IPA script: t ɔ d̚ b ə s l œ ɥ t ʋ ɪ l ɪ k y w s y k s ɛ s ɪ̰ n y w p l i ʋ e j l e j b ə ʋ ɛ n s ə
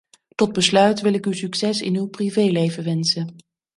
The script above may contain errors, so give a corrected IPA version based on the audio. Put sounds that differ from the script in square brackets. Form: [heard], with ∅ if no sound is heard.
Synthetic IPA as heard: t ɔ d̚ b ə s l œ ɥ t ʋ ɪ l ɪ k y w s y k s ɛ s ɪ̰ n y w p [r] i [v] e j l e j [v] ə ʋ ɛ n s ə